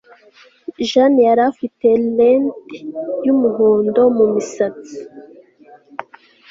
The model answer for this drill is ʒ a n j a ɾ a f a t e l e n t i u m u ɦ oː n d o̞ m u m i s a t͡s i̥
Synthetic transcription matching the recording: ʒ a n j a ɾ a f i t e l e n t j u m u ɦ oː n d o̞ m u m i s a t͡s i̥